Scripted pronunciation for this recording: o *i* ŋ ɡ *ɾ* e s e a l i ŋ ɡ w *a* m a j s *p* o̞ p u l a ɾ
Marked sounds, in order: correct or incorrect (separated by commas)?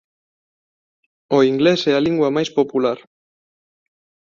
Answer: correct, incorrect, correct, correct